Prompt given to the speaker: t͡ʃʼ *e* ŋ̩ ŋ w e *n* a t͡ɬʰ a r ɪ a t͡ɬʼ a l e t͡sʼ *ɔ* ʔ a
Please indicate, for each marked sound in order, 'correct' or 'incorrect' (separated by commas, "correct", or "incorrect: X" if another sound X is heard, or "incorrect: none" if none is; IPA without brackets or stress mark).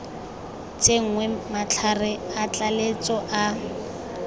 correct, incorrect: m, correct